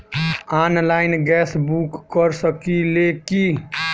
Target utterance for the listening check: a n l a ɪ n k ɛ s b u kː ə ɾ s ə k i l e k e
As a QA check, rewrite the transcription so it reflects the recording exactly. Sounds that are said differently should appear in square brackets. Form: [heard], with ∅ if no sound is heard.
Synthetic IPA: a n l a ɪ n [ɡ] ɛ s b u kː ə ɾ s ə k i l e k [i]